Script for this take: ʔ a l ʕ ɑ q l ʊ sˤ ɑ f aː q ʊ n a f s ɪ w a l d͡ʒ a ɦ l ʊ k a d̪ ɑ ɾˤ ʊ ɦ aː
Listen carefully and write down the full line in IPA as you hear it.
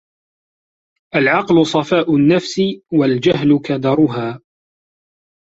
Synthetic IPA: ʔ a l ʕ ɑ q l ʊ sˤ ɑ f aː ʔ ʊ nː a f s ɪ w a l d͡ʒ a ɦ l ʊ k a d̪ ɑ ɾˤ ʊ ɦ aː